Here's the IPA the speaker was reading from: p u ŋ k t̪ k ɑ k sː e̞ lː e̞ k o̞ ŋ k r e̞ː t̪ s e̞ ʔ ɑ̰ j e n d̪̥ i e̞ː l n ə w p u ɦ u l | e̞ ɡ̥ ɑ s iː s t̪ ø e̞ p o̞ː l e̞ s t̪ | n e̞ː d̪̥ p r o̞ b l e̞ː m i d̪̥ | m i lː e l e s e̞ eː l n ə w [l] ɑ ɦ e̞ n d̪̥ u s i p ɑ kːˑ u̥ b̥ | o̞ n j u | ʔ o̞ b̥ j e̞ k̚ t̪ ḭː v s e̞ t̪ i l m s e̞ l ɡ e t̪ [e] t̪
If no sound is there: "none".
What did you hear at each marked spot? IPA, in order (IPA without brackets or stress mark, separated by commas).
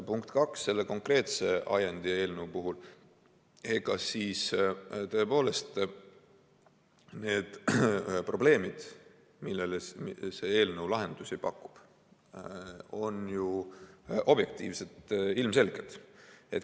l, e